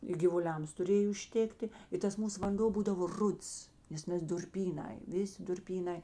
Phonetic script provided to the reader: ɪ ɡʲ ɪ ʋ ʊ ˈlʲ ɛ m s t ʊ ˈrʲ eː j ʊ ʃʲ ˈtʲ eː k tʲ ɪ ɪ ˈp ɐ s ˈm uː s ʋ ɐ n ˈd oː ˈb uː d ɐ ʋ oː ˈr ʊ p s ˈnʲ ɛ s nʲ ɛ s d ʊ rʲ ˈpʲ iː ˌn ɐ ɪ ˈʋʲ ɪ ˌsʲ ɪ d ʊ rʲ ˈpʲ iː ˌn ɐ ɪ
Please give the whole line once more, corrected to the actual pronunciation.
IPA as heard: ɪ ɡʲ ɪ ʋ ʊ ˈlʲ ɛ m s t ʊ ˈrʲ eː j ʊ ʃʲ ˈtʲ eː k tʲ ɪ ɪ ˈt ɐ s ˈm uː s ʋ ɐ n ˈd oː ˈb uː d ɐ ʋ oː ˈr ʊ t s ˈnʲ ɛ s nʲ ɛ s d ʊ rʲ ˈpʲ iː ˌn ɐ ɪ ˈʋʲ ɪ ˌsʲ ɪ d ʊ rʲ ˈpʲ iː ˌn ɐ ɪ